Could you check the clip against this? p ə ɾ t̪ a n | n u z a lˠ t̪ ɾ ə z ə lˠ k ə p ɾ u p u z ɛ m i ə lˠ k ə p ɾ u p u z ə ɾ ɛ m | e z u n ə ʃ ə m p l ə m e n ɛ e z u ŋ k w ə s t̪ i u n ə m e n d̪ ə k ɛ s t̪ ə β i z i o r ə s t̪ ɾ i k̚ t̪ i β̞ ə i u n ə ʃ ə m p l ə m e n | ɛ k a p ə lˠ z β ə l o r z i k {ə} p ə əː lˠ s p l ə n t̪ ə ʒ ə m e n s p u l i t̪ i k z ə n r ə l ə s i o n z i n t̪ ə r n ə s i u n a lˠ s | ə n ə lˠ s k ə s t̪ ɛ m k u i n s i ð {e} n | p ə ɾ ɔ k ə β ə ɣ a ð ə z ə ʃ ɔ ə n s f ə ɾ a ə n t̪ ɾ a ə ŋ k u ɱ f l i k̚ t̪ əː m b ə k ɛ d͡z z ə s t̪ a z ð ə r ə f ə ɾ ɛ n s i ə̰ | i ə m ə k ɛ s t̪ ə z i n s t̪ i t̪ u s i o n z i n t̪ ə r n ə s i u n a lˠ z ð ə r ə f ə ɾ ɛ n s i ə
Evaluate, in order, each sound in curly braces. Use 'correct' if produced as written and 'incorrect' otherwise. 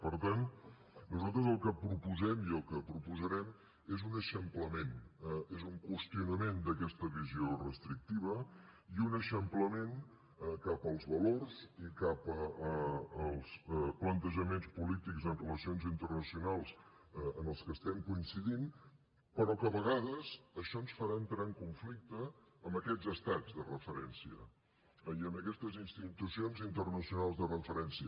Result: incorrect, incorrect

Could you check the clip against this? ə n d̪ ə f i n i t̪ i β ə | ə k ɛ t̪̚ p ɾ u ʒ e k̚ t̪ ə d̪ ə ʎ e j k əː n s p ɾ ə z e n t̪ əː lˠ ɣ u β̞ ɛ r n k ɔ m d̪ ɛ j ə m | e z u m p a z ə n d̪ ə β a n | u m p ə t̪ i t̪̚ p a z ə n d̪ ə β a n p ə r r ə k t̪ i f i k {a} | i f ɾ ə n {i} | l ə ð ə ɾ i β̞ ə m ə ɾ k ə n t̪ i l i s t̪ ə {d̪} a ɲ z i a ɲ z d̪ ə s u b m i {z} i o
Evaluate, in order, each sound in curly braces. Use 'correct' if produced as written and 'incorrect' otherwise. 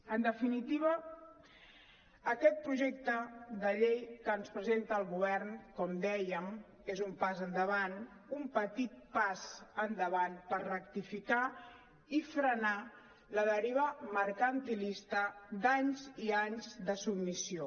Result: correct, incorrect, correct, incorrect

